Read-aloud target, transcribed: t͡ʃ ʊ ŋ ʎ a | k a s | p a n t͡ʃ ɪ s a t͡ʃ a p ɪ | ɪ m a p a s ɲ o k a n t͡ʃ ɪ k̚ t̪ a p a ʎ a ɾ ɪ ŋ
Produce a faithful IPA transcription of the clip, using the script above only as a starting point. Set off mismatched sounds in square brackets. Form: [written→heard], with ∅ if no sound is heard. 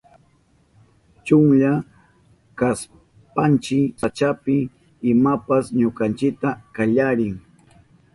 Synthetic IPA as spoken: t͡ʃ ʊ ŋ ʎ a | k a s | p a n t͡ʃ ɪ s a t͡ʃ a p ɪ | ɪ m a p a s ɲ o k a n t͡ʃ ɪ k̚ t̪ a [p→k] a ʎ a ɾ ɪ ŋ